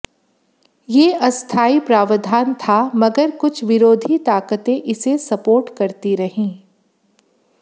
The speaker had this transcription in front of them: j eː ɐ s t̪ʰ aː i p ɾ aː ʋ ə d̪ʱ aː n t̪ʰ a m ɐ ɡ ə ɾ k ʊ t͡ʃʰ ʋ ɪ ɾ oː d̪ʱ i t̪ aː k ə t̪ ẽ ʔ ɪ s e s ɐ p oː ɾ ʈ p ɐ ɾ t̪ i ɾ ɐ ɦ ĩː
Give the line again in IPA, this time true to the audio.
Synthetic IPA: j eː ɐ s t̪ʰ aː i p ɾ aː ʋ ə d̪ʱ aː n t̪ʰ a m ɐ ɡ ə ɾ k ʊ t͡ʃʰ ʋ ɪ ɾ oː d̪ʱ i t̪ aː k ə t̪ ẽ ʔ ɪ s e s ɐ p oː ɾ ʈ k ɐ ɾ t̪ i ɾ ɐ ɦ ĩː